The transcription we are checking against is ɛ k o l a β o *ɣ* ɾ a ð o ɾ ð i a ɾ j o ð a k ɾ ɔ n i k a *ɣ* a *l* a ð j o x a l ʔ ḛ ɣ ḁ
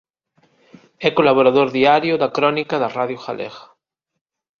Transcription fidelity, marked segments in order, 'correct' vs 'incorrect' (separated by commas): incorrect, incorrect, incorrect